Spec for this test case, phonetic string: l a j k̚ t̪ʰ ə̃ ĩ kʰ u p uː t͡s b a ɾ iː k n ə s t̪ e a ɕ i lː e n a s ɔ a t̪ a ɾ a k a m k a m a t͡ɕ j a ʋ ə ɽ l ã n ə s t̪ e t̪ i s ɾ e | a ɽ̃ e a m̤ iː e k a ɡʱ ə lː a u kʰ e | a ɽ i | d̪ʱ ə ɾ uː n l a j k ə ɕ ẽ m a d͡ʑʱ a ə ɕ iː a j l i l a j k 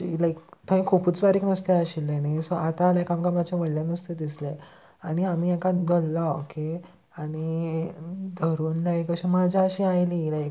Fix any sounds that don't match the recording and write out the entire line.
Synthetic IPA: l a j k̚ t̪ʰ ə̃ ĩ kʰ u p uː t͡s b a ɾ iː k n ə s t̪ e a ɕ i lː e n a s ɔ a t̪ a l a k a m k a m a t͡ɕ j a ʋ ə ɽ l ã n ə s t̪ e d̪ i s l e | a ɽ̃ i a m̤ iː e k a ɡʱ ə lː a o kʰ e | a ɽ i | d̪ʱ ə ɾ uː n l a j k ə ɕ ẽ m a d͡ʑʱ a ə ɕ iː a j l i l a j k

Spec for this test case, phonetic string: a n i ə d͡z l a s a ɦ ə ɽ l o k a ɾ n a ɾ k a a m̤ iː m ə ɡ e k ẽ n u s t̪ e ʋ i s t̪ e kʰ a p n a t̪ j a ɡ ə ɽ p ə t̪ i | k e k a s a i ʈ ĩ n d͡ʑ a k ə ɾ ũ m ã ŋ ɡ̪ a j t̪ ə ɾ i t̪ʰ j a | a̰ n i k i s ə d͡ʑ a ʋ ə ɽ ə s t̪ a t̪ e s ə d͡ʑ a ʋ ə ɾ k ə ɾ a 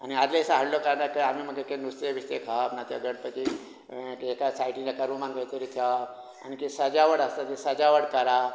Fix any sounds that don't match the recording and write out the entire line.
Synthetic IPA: a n i a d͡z l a s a ɦ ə ɽ l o k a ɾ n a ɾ k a a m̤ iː m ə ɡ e k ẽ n u s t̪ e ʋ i s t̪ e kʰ a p n a t̪ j a ɡ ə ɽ p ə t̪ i | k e k a s a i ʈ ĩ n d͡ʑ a k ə ɾ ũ m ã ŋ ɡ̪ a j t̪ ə ɾ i t̪ʰ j a | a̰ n i k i s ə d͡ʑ a ʋ ə ɽ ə s t̪ a t̪ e s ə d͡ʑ a ʋ ə ɽ k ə ɾ a

